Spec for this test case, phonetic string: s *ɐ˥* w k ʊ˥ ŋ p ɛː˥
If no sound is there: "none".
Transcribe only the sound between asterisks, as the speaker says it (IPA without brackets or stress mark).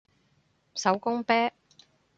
ɐ˨˥